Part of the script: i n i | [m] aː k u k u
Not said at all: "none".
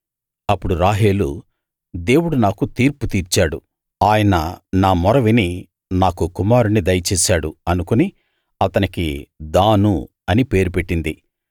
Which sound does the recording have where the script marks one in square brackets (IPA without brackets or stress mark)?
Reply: n